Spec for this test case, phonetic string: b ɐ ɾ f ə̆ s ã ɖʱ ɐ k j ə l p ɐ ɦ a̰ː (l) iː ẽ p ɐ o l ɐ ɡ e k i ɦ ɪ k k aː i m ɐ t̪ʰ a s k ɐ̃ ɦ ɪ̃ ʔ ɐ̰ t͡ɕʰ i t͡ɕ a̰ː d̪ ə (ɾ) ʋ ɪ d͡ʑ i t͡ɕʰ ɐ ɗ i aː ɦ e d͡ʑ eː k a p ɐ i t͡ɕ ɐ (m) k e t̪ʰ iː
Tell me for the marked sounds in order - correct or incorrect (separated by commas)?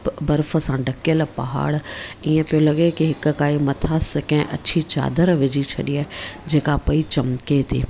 incorrect, correct, correct